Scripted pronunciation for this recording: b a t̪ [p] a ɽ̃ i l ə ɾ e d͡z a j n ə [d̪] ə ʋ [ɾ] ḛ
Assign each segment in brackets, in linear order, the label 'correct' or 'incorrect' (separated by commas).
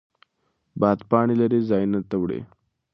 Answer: correct, incorrect, incorrect